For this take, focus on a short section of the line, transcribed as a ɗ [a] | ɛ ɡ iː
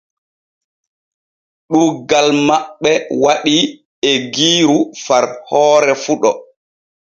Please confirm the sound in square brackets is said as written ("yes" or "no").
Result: no